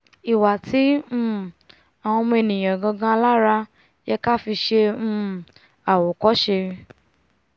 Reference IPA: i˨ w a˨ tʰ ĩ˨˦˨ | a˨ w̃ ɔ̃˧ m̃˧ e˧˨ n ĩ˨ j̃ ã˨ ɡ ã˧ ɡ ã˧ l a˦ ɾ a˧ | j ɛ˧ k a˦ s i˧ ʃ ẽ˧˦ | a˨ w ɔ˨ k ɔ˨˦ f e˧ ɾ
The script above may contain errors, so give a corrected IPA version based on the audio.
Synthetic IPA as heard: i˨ w a˨ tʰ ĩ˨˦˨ | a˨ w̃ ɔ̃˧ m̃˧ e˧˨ n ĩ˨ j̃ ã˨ ɡ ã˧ ɡ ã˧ l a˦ ɾ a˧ | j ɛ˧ k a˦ f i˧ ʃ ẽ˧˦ | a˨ w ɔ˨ k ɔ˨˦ ʃ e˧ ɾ